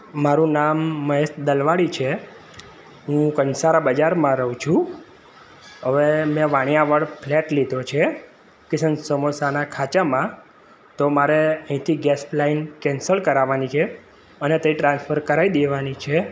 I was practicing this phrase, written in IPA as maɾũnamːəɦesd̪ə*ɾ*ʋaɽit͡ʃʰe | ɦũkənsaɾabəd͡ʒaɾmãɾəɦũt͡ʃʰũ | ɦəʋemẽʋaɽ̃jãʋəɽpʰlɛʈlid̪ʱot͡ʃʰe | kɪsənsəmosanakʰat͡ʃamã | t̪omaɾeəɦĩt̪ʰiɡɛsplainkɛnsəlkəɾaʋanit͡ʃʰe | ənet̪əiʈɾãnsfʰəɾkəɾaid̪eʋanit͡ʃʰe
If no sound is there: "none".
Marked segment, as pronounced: l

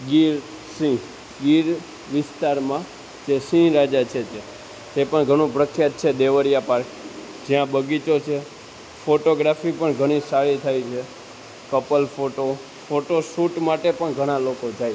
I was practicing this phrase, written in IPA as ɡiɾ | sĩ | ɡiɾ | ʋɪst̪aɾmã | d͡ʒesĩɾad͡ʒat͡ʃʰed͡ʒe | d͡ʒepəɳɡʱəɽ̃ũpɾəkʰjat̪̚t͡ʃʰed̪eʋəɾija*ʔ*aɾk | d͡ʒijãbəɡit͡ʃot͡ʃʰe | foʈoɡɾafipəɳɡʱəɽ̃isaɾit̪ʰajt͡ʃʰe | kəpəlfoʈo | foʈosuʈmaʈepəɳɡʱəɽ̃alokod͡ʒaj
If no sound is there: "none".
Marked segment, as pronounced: p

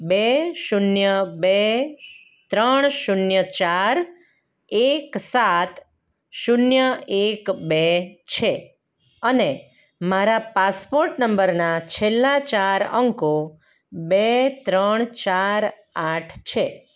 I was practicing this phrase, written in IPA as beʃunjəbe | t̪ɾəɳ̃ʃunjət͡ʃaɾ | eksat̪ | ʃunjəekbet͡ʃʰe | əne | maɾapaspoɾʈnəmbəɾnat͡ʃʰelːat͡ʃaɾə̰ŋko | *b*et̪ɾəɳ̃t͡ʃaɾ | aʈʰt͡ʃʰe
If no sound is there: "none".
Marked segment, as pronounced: b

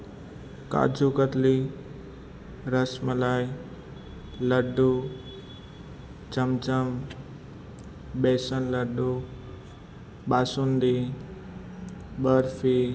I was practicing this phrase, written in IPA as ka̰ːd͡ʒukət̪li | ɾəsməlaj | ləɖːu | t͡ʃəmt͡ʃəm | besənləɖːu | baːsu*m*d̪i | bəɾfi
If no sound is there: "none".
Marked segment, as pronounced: n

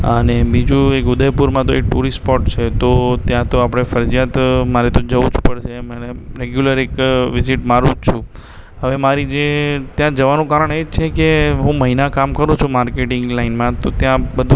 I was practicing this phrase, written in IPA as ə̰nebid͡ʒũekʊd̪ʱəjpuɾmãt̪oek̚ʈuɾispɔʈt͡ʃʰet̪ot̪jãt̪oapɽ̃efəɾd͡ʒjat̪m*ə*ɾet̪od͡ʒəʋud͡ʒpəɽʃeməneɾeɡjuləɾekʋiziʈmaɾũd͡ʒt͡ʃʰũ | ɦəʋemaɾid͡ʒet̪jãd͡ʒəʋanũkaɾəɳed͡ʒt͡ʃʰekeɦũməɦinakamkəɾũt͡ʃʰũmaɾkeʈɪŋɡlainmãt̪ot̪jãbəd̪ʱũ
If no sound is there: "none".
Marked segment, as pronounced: a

